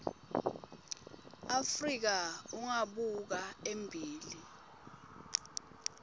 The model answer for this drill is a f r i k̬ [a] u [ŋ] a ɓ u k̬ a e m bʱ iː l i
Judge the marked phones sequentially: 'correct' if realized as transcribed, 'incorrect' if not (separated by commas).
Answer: correct, correct